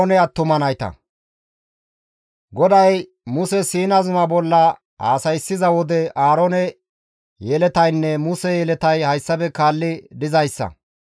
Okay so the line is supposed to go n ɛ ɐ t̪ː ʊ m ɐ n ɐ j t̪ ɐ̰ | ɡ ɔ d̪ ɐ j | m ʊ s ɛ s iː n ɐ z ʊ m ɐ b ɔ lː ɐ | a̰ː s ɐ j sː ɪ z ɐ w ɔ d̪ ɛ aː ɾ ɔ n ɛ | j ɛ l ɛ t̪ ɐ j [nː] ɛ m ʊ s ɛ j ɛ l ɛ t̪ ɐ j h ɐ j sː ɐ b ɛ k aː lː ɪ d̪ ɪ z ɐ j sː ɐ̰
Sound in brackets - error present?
no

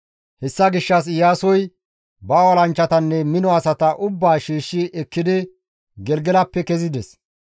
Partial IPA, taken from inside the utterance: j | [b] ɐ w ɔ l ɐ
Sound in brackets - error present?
no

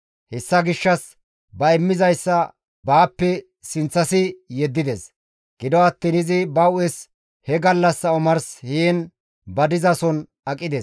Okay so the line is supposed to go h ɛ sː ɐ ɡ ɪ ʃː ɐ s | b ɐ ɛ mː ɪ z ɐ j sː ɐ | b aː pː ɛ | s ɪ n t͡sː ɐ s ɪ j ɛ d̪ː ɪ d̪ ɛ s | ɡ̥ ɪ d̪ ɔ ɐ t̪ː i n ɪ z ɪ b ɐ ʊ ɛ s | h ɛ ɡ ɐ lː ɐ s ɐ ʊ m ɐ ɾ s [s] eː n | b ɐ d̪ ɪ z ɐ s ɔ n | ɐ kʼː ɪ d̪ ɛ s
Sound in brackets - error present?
yes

